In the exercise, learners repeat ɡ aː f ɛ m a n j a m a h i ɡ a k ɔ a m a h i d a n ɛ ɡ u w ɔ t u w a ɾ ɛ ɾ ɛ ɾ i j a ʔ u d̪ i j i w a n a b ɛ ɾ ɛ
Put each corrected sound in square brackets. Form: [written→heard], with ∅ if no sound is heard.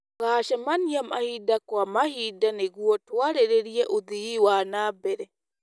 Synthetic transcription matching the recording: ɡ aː [f→ʃ] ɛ m a n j a m a h i [ɡ→d] a k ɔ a m a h i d a n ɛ ɡ u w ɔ t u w a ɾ ɛ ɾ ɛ ɾ i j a ʔ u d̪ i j i w a n a b ɛ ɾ ɛ